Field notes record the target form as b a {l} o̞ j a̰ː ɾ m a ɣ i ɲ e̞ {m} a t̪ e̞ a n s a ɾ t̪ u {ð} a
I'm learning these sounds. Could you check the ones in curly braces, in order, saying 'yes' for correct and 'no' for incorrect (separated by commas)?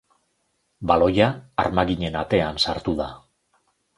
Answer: yes, no, yes